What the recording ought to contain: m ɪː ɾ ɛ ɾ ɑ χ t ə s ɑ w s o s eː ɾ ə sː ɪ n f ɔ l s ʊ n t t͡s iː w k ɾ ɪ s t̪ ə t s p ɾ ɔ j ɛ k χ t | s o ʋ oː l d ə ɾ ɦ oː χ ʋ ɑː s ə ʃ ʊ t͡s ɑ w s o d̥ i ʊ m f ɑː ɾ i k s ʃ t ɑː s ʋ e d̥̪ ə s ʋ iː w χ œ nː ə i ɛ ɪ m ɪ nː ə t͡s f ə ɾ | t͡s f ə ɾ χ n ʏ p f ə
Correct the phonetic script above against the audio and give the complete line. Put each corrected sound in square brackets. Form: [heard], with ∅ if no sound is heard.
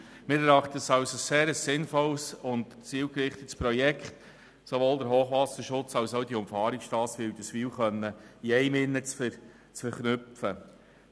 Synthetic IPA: m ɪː ɾ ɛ ɾ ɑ χ t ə s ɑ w s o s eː ɾ ə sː ɪ n f ɔ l s ʊ n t t͡s iː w k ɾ ɪ [χ] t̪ ə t s p ɾ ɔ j ɛ k χ t | s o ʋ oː l d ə ɾ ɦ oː χ ʋ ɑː s ə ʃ ʊ t͡s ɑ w s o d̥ i ʊ m f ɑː ɾ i k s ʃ t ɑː s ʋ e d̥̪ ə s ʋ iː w χ œ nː ə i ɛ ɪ m ɪ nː ə t͡s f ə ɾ | t͡s f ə ɾ χ n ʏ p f ə